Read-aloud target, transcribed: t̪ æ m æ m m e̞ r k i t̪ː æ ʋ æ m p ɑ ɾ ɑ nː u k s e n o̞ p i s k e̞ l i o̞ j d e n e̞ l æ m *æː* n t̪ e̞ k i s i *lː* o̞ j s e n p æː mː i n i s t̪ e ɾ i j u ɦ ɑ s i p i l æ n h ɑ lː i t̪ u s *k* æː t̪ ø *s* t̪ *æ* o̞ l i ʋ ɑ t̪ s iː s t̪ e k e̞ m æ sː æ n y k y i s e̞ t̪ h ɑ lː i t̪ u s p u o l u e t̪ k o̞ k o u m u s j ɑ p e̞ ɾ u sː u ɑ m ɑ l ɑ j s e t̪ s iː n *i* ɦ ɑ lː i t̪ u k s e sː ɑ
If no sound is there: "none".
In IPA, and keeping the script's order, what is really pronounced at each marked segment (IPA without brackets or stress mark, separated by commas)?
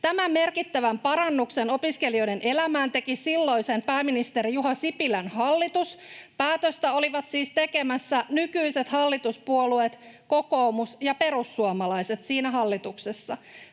æː, lː, p, s, æ, æ